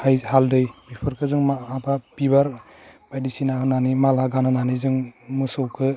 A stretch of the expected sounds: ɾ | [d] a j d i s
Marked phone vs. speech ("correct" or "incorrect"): incorrect